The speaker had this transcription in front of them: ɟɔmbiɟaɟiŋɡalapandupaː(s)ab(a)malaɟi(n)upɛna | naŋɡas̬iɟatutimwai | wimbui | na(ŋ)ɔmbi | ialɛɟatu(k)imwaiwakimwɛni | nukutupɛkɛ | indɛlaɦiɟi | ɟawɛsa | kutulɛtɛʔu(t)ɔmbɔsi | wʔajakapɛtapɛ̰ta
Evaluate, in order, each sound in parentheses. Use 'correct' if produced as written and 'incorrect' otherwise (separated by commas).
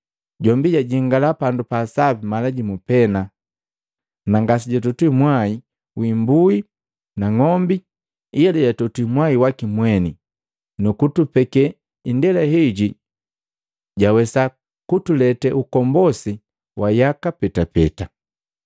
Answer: correct, incorrect, incorrect, correct, incorrect, incorrect